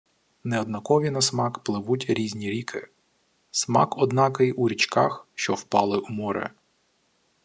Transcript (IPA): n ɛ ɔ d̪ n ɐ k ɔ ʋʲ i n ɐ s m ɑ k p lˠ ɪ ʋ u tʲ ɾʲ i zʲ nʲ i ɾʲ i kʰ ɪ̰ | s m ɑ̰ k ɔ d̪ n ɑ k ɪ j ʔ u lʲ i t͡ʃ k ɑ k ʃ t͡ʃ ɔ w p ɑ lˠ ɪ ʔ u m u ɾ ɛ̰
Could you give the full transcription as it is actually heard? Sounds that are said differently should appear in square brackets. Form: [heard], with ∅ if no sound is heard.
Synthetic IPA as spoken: n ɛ ɔ d̪ n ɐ k ɔ ʋʲ i n ɐ s m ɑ k p lˠ ɪ ʋ u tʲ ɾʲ i zʲ nʲ i ɾʲ i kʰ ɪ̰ | s m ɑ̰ k ɔ d̪ n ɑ k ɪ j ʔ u [ɾʲ] i t͡ʃ k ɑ [x] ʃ t͡ʃ ɔ w p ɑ lˠ ɪ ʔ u m [ɔ] ɾ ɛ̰